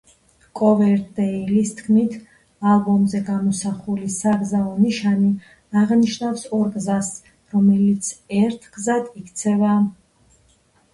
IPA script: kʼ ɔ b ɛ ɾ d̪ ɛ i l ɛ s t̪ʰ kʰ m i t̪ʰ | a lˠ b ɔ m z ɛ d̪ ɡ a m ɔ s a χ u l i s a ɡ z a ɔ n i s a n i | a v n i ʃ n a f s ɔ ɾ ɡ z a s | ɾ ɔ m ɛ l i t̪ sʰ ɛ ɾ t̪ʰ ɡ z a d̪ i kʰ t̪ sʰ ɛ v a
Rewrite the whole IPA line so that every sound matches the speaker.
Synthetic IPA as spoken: kʼ ɔ v ɛ ɾ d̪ ɛ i l i s t̪ʰ kʰ m i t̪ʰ | a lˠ b ɔ m z ɛ ɡ a m ɔ s a χ u l i s a ɡ z a ɔ n i ʃ a n i | a ʁ n i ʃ n a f s ɔ ɾ ɡ z a s | ɾ ɔ m ɛ l i t̪ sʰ ɛ ɾ t̪ʰ ɡ z a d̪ i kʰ t̪ sʰ ɛ v a